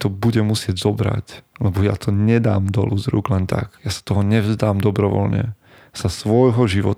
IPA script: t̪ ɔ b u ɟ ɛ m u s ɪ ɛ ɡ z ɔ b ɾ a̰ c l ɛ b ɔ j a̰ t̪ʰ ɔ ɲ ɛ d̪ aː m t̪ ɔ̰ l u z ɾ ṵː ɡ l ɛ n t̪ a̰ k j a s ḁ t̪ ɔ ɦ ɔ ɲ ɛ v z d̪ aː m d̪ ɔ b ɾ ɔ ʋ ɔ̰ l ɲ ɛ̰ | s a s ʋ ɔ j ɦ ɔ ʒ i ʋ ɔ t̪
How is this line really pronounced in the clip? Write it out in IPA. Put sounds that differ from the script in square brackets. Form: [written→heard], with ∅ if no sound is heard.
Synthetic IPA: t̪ ɔ b u ɟ ɛ m u s ɪ ɛ [ɡ→ɟ] z ɔ b ɾ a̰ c l ɛ b ɔ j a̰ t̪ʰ ɔ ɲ ɛ d̪ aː m [t̪→d̪] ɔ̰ l u z ɾ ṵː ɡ l ɛ n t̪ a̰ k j a s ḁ t̪ ɔ ɦ ɔ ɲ ɛ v z d̪ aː m d̪ ɔ b ɾ ɔ ʋ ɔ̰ l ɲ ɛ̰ | s a s ʋ ɔ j ɦ ɔ ʒ i ʋ ɔ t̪